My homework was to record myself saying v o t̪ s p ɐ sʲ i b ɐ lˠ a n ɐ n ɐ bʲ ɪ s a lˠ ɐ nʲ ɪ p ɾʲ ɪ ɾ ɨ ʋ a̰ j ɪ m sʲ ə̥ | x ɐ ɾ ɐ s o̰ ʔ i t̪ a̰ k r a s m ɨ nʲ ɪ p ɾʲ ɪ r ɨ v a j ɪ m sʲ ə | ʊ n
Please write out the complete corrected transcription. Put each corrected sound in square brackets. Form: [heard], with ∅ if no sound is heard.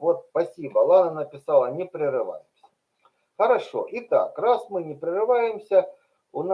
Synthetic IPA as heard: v o t̪ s p ɐ sʲ i b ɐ lˠ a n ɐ n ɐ [pʲ] ɪ s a lˠ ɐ nʲ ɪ p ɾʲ ɪ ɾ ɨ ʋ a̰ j ɪ m sʲ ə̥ | x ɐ ɾ ɐ [ʂ] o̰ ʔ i t̪ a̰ k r a s m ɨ nʲ ɪ p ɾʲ ɪ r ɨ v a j ɪ m sʲ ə | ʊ n

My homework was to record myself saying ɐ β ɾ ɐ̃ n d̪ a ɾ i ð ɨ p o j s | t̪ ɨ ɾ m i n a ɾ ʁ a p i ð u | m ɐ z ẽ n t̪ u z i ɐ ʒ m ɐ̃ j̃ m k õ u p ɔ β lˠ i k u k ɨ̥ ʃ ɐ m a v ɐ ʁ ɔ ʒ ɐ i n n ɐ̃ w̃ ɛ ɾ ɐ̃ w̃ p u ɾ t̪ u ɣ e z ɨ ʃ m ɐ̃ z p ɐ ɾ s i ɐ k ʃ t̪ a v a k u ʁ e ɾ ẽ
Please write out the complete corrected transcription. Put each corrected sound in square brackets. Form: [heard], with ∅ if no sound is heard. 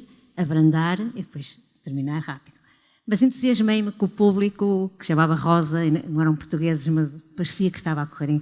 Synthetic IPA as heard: ɐ β ɾ ɐ̃ n d̪ a ɾ i ð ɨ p o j [ʃ] | t̪ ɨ ɾ m i n a ɾ ʁ a p i ð u | m ɐ z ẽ n t̪ u z i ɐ ʒ m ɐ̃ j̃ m k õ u p [u] β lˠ i k u k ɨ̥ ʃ ɐ m a v ɐ ʁ ɔ [z] ɐ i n n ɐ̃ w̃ ɛ ɾ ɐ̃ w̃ p u ɾ t̪ u ɣ e z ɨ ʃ m [ɐ] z p ɐ ɾ s i ɐ k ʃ t̪ a v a k u ʁ e ɾ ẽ

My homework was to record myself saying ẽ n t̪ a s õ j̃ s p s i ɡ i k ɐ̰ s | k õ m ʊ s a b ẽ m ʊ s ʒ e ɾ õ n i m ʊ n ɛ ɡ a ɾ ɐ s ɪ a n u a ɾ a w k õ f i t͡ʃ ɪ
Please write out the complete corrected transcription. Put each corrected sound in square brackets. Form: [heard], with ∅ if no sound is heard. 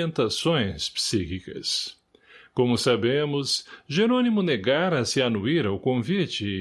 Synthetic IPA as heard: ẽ n t̪ a s õ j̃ s p s i [k] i k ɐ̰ s | k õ m ʊ s a b ẽ m ʊ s ʒ e ɾ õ n i m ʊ n [e] ɡ a ɾ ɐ s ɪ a n u [i] ɾ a w k õ [v] i t͡ʃ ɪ

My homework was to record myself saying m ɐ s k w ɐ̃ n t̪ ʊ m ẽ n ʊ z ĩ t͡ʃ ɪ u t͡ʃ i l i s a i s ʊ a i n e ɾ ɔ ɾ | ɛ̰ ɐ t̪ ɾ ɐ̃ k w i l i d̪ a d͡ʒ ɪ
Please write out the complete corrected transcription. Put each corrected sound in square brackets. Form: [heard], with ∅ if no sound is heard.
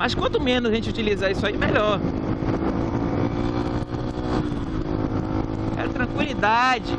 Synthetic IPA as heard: m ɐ s k w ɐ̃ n t̪ ʊ m ẽ n ʊ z [ẽ] t͡ʃ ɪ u t͡ʃ i l i [z] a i s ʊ a i [m] e [ʎ] ɔ ɾ | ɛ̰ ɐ t̪ ɾ ɐ̃ k w i l i d̪ a d͡ʒ ɪ

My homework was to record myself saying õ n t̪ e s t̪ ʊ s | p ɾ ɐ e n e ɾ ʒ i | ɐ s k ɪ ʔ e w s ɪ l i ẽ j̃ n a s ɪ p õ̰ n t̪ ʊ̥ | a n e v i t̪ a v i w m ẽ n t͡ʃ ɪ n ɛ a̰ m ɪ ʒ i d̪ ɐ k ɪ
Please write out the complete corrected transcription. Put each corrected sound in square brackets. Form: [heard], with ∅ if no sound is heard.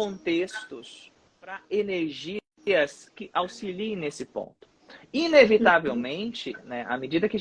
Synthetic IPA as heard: õ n t̪ e s t̪ ʊ s | p ɾ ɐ e n e ɾ ʒ i | ɐ s k ɪ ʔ [a] w s [i] l i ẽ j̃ n [e] s ɪ p õ̰ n t̪ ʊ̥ | [i] n e v i t̪ a v [e] w m ẽ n t͡ʃ ɪ n ɛ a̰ m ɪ [d͡ʒ] i d̪ ɐ k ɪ

